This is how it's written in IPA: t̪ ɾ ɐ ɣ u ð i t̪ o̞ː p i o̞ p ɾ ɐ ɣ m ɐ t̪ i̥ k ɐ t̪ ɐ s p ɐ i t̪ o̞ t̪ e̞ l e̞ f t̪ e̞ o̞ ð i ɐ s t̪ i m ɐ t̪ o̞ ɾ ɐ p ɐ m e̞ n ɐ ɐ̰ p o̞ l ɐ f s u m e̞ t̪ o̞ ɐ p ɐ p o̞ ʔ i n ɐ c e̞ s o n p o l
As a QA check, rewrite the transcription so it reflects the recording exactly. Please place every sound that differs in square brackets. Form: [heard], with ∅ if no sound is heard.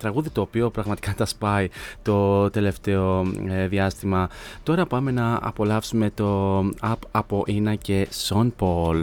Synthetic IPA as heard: t̪ ɾ ɐ ɣ u ð i t̪ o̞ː p i o̞ p ɾ ɐ ɣ m ɐ t̪ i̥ k ɐ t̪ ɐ s p ɐ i t̪ o̞ t̪ e̞ l e̞ f t̪ e̞ o̞ ð i ɐ s t̪ i m ɐ t̪ o̞ ɾ ɐ p ɐ m e̞ n ɐ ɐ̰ p o̞ l ɐ f s u m e̞ t̪ o̞ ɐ p ɐ p o̞ ʔ i n ɐ c e̞ s o n p o l